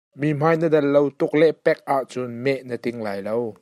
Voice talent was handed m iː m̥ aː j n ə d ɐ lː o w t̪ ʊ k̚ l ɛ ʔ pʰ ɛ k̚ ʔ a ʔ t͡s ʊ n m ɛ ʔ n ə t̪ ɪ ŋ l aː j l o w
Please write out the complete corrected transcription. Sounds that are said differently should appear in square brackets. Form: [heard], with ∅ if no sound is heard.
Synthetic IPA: m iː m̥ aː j n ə d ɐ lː o w t̪ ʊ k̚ l ɛ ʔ [p] ɛ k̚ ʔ a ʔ t͡s ʊ n m ɛ ʔ n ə t̪ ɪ ŋ l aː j l o w